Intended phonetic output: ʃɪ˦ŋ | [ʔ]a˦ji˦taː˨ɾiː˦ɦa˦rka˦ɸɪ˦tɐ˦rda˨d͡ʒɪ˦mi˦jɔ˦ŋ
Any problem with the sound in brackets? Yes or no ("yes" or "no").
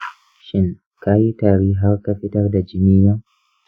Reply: yes